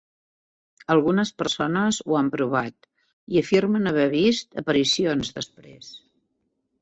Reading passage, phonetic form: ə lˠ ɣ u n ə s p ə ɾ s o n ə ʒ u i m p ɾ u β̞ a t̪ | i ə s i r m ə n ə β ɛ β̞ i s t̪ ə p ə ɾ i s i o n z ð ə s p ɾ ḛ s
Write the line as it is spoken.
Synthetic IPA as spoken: ə lˠ ɣ u n ə s p ə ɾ s o n ə z u a m p ɾ u β̞ a t̪ | i ə f i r m ə n ə β ɛ β̞ i s t̪ ə p ə ɾ i s i o n z ð ə s p ɾ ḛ s